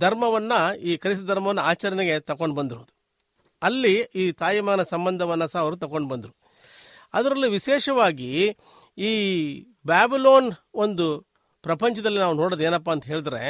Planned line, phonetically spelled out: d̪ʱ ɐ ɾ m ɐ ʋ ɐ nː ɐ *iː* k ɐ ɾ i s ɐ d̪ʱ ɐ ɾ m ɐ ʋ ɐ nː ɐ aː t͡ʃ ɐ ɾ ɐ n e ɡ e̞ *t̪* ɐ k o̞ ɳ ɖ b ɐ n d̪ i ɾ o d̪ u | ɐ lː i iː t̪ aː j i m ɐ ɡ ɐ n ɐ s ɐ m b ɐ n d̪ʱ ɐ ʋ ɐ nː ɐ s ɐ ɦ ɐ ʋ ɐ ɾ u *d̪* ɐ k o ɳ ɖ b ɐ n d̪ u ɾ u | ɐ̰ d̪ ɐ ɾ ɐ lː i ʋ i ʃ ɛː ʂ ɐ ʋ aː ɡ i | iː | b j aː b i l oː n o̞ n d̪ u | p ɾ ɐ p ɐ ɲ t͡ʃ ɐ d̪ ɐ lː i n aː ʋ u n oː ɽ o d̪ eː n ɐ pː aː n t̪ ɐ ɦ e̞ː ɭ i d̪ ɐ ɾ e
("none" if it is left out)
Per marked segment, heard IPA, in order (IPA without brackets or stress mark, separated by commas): iː, t̪, t̪